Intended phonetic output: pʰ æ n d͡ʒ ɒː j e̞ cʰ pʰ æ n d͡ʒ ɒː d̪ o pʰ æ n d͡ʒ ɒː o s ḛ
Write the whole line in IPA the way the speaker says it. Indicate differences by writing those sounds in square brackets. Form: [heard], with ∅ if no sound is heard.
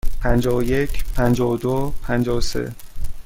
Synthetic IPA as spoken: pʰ æ n d͡ʒ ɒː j e̞ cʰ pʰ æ n d͡ʒ ɒː d̪ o pʰ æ n d͡ʒ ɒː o s ḛ